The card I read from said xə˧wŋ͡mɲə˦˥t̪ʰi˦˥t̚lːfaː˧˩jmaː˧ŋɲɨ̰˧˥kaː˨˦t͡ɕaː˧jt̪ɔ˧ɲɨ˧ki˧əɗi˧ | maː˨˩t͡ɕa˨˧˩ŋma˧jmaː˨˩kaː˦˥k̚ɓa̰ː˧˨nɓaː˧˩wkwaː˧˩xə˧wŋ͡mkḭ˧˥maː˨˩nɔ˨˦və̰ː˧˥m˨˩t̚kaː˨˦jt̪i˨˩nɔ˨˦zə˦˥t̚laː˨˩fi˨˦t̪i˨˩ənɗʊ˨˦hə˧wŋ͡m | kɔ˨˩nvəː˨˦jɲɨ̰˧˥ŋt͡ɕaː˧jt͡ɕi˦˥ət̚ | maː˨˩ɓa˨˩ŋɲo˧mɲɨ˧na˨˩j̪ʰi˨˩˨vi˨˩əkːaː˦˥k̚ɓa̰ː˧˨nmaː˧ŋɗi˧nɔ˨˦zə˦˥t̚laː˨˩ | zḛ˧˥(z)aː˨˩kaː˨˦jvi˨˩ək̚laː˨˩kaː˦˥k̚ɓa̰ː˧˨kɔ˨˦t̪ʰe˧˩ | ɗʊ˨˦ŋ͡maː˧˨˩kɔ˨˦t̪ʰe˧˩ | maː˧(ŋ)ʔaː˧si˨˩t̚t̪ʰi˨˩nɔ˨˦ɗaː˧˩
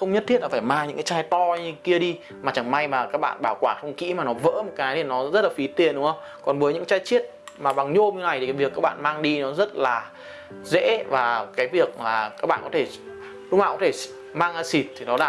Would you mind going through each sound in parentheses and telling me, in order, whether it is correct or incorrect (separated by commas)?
incorrect, correct